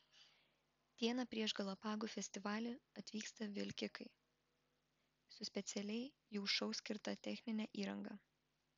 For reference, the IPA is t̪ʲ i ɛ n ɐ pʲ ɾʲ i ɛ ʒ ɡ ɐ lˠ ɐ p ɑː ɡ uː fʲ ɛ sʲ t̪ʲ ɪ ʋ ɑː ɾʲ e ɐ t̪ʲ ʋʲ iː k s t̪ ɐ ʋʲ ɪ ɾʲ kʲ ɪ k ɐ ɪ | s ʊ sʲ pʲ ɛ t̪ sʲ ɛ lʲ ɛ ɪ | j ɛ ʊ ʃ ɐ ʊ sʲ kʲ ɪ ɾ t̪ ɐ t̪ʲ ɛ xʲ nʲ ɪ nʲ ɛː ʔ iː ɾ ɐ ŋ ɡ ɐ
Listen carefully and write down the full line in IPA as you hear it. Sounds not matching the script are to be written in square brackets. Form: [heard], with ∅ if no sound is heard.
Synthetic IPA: t̪ʲ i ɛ n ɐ pʲ ɾʲ i ɛ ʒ ɡ ɐ lˠ ɐ p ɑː ɡ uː fʲ ɛ sʲ t̪ʲ ɪ ʋ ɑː [lʲ] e ɐ t̪ʲ ʋʲ iː k s t̪ ɐ ʋʲ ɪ [lʲ] kʲ ɪ k ɐ ɪ | s ʊ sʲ pʲ ɛ t̪ sʲ ɛ lʲ ɛ ɪ | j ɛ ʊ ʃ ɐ ʊ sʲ kʲ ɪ ɾ t̪ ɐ t̪ʲ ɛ xʲ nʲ ɪ nʲ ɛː ʔ iː ɾ ɐ ŋ ɡ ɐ

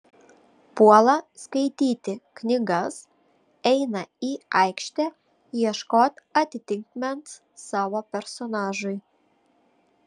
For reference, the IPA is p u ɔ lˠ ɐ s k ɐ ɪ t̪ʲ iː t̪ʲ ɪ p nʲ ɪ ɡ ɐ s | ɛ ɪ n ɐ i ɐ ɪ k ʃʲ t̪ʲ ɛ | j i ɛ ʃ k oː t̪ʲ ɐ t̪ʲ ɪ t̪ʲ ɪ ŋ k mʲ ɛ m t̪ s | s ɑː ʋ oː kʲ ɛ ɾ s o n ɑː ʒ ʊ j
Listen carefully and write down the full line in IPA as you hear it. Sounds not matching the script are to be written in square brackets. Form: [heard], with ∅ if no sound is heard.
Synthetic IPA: p u ɔ lˠ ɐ s k ɐ ɪ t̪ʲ iː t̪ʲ ɪ [k] nʲ ɪ ɡ ɐ s | ɛ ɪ n ɐ i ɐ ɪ k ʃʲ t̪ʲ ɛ | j i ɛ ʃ k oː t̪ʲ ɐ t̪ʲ ɪ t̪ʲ ɪ ŋ k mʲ ɛ [n] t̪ s | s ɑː ʋ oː [pʲ] ɛ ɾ s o n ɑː ʒ ʊ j

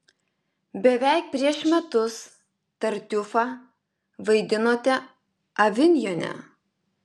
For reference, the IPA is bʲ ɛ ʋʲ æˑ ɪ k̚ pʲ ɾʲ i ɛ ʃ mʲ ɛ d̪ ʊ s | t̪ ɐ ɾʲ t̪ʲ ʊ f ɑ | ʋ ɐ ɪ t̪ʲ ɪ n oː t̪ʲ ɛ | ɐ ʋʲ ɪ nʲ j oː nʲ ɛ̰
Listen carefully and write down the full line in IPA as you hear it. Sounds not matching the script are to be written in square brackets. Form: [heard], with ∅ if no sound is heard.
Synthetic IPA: bʲ ɛ ʋʲ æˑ ɪ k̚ pʲ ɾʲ i ɛ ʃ mʲ ɛ [t̪] ʊ s | t̪ ɐ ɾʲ t̪ʲ ʊ f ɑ | ʋ ɐ ɪ [d̪ʲ] ɪ n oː t̪ʲ ɛ | ɐ ʋʲ ɪ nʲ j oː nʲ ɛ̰

